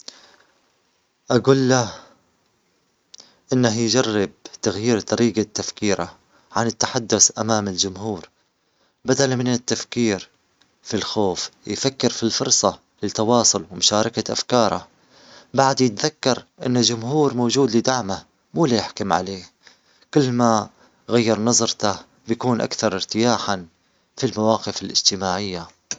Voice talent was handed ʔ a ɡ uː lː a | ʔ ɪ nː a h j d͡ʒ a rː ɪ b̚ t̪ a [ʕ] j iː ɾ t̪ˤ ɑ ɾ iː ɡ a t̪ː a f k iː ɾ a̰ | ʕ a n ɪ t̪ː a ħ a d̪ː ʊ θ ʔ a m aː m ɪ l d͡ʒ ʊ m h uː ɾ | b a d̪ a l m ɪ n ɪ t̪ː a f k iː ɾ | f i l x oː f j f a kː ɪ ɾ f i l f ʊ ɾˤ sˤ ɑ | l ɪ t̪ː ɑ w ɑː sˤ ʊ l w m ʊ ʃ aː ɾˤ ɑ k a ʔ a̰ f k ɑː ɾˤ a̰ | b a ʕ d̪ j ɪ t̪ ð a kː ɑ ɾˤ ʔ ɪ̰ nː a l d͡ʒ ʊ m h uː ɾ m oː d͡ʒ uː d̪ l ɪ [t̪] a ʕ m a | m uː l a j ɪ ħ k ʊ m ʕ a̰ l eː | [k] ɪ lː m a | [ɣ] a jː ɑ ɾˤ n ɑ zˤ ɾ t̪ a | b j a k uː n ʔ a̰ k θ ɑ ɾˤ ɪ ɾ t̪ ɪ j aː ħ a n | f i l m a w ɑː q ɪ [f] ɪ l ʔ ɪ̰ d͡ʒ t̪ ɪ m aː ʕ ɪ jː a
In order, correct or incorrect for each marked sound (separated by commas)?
incorrect, incorrect, correct, correct, correct